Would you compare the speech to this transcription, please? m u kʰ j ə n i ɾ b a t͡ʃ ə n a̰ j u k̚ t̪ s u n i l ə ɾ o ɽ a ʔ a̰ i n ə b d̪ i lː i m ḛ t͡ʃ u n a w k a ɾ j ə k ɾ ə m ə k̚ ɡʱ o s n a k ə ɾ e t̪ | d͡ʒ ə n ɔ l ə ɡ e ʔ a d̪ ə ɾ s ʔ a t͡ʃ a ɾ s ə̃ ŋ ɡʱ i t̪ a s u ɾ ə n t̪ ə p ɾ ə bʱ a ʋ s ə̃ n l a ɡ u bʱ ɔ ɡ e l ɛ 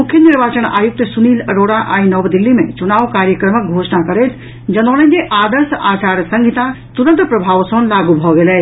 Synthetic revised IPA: m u kʰ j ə n i ɾ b a t͡ʃ ə n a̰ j u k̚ t̪ s u n i l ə ɾ o ɽ a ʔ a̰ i n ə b d̪ i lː i m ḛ t͡ʃ u n a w k a ɾ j ə k ɾ ə m ə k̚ ɡʱ o s n a k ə ɾ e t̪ | d͡ʒ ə n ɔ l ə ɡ e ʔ a d̪ ə ɾ s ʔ a t͡ʃ a ɾ s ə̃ ŋ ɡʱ i t̪ a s u ɾ ə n t̪ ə p ɾ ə bʱ a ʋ s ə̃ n l a ɡ u bʱ ɔ ɡ e l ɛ